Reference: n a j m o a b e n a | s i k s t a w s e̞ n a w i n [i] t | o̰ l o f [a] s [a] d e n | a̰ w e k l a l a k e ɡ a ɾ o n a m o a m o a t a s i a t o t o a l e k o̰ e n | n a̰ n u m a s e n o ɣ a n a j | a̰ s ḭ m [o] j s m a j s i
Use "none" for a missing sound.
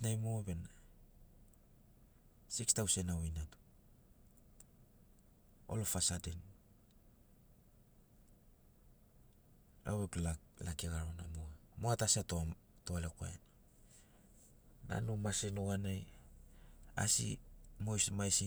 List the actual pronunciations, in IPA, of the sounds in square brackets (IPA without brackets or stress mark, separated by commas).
a, a, a, o